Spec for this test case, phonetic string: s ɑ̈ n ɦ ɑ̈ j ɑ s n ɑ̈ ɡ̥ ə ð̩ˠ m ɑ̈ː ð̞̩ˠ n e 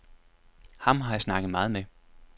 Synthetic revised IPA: h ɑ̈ m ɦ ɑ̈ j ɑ s n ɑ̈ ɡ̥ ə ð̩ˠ m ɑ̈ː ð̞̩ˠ m e